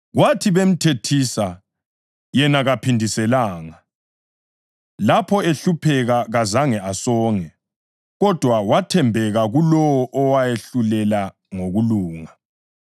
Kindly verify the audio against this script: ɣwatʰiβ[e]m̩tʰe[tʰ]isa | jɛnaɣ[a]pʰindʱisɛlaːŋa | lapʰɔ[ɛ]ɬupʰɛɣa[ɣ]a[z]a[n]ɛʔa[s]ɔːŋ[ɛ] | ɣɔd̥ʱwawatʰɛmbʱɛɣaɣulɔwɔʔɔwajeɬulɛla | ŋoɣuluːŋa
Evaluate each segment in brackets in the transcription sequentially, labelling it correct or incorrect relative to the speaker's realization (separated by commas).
correct, correct, correct, incorrect, correct, correct, incorrect, correct, correct